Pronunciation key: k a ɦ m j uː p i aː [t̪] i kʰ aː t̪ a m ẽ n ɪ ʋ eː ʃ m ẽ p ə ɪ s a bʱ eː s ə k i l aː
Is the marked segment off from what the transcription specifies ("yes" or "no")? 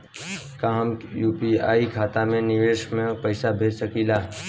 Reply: yes